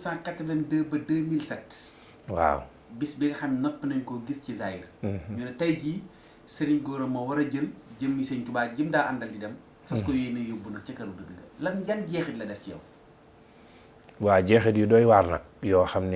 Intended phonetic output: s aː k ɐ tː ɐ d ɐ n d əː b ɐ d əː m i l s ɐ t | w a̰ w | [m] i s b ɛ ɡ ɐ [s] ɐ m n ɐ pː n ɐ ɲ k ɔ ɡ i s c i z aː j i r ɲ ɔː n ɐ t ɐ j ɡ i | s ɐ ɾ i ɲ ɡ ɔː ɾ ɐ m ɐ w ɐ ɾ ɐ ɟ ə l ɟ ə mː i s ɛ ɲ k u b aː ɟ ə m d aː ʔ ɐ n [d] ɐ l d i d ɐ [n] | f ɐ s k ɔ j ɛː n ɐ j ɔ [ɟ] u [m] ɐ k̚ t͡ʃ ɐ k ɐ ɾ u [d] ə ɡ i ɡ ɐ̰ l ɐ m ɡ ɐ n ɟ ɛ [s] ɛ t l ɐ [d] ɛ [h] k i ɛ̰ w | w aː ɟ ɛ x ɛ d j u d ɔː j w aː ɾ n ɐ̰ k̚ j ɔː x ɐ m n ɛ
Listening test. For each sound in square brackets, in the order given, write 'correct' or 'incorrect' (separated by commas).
incorrect, incorrect, correct, incorrect, incorrect, incorrect, correct, incorrect, correct, incorrect